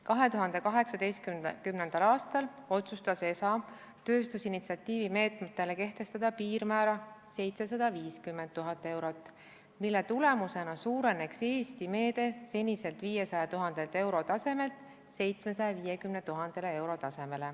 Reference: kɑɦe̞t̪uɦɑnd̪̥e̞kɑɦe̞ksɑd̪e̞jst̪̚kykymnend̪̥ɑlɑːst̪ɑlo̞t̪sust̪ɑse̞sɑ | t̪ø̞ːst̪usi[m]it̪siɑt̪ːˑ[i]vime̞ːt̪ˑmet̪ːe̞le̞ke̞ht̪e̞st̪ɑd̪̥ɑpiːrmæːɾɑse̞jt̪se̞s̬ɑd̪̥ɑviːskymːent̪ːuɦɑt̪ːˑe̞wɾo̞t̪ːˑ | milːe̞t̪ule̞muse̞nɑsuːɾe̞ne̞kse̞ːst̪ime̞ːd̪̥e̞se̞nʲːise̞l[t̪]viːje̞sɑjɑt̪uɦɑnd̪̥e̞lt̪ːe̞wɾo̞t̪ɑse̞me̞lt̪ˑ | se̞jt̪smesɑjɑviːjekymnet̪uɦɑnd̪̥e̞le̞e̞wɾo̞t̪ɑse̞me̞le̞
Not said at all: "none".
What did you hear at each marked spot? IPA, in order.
n, iː, t̪

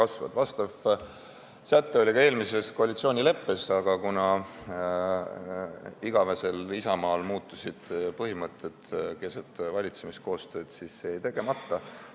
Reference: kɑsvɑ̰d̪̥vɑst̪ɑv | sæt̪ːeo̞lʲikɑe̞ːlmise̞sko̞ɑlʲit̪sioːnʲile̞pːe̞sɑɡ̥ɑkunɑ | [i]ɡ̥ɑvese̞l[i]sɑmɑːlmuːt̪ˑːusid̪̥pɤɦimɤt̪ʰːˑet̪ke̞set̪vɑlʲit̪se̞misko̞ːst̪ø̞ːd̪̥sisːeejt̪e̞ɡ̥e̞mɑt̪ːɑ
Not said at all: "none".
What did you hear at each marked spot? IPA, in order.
i, i

